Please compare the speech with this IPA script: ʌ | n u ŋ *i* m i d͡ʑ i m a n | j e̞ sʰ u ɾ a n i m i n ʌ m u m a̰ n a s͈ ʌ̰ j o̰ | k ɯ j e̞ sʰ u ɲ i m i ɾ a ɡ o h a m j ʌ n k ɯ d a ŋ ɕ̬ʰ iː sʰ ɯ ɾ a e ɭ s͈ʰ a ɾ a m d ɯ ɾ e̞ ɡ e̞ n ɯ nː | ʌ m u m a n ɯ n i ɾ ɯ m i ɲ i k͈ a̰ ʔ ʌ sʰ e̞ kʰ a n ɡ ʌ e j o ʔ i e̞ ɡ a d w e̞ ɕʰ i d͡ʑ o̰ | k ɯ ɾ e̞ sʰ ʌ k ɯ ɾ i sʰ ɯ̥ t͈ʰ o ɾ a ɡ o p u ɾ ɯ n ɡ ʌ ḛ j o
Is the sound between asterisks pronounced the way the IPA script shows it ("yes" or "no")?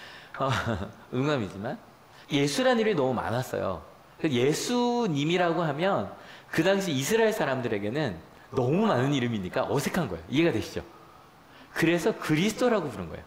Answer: no